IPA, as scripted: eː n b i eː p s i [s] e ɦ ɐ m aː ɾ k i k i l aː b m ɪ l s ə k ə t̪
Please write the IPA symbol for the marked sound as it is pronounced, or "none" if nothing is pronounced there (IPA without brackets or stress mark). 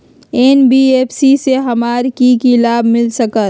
s